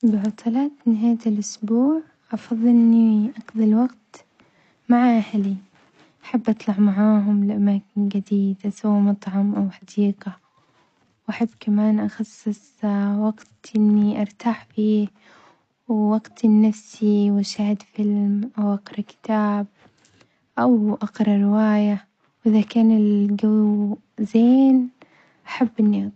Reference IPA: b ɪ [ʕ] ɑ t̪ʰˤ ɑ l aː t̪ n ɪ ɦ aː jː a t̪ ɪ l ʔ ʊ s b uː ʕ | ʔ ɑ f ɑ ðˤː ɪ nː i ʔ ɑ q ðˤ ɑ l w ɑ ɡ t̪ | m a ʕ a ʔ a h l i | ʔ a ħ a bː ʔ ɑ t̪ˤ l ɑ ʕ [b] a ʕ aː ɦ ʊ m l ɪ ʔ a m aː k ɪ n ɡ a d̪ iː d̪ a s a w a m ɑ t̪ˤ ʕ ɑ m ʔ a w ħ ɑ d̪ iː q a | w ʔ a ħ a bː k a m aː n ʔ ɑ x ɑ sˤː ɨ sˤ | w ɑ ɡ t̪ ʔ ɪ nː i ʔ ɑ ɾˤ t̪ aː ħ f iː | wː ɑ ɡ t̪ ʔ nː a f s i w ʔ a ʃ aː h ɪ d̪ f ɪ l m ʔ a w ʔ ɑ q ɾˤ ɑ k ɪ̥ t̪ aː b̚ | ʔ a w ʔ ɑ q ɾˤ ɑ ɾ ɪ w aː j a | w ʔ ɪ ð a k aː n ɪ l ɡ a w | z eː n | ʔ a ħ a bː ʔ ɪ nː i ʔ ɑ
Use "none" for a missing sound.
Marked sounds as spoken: ʕ, m

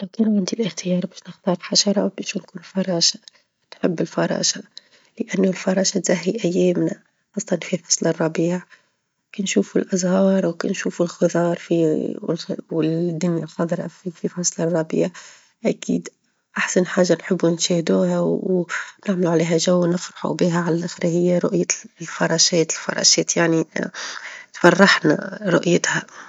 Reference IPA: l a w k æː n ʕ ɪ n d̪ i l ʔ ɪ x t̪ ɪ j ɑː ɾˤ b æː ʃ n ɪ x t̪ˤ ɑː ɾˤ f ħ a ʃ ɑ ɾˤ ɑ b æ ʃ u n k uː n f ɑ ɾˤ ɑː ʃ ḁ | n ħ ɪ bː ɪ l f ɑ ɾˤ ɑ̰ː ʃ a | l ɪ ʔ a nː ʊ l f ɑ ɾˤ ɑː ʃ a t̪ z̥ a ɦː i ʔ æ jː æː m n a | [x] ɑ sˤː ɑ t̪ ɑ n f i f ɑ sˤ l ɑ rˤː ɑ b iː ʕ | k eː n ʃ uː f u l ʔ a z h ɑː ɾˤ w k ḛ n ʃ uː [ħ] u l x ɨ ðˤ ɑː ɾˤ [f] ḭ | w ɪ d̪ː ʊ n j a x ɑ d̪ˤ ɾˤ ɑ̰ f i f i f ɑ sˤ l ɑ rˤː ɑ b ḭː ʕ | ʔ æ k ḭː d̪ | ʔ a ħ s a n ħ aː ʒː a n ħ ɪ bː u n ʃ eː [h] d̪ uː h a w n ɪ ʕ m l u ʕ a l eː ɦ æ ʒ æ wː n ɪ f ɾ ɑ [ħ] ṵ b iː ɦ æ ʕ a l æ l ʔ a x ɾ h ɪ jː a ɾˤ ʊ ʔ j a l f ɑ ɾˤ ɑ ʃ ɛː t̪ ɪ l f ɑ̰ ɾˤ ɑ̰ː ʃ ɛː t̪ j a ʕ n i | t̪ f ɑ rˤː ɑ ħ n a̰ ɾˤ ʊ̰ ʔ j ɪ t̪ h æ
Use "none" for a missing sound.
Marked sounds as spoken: x, f, f, h, ħ

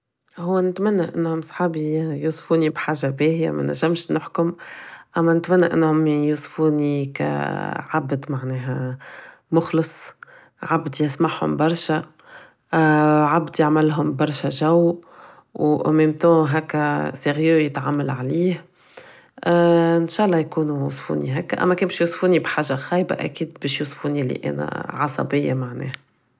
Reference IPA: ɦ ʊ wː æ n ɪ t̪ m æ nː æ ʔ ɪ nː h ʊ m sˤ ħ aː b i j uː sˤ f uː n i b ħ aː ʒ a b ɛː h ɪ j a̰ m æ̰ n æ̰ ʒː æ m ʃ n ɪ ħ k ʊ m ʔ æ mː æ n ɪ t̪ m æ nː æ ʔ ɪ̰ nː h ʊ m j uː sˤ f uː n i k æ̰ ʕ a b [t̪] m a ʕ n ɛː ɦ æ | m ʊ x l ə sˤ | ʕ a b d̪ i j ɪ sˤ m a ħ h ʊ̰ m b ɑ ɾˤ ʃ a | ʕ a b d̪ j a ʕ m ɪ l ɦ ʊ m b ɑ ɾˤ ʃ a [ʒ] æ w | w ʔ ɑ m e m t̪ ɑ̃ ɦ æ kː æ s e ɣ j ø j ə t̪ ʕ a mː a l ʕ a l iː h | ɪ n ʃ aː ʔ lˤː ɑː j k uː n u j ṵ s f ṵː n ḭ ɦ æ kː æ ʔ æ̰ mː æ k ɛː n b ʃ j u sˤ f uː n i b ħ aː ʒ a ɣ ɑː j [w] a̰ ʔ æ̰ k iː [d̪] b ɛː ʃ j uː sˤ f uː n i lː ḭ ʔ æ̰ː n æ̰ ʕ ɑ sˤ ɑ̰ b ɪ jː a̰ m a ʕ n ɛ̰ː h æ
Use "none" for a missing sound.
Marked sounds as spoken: d̪, ʒ, b, d̪

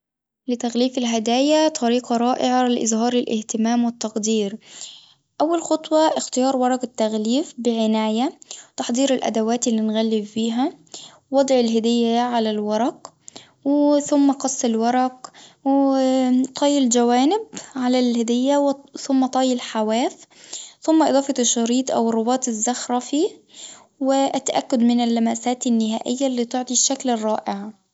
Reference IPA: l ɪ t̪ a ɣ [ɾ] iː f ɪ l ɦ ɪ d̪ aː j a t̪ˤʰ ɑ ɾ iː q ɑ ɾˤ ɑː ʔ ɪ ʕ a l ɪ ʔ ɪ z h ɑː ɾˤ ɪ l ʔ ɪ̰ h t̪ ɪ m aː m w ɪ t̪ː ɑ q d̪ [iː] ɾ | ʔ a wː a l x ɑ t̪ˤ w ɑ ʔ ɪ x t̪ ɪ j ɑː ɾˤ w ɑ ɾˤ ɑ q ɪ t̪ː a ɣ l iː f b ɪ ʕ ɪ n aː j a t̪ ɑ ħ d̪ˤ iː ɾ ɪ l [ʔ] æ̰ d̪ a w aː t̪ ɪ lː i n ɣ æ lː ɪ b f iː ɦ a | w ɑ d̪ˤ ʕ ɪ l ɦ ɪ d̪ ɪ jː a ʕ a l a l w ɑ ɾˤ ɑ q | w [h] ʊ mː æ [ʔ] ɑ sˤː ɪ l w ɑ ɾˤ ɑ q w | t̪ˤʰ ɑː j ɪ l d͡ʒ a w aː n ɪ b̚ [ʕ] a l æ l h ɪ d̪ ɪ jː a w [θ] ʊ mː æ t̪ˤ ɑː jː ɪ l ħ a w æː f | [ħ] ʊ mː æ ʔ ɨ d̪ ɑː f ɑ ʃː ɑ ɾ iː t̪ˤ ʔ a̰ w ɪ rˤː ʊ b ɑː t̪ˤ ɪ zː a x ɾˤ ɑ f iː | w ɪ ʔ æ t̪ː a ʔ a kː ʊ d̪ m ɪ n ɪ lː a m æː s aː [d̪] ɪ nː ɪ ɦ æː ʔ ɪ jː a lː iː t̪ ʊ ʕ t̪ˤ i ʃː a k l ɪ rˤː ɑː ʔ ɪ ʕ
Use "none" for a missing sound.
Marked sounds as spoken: l, iː, ʔ, θ, q, ʕ, θ, θ, t̪

